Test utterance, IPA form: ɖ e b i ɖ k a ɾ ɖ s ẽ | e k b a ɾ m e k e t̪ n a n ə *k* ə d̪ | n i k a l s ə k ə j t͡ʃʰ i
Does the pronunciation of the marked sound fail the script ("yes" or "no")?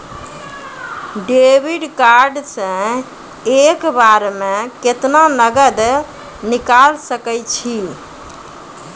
yes